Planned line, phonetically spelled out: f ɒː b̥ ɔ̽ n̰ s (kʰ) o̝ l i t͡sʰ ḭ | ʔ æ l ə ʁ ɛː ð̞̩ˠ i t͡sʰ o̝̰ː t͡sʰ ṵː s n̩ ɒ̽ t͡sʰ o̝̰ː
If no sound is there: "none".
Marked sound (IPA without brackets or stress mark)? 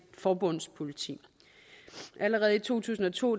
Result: pʰ